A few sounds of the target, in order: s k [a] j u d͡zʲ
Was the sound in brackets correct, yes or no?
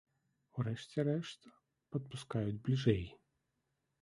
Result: yes